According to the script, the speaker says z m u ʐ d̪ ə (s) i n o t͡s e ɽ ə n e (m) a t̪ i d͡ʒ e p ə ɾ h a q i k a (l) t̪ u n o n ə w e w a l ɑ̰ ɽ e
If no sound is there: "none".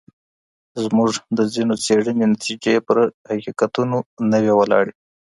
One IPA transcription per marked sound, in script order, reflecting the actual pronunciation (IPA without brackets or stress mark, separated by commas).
z, n, none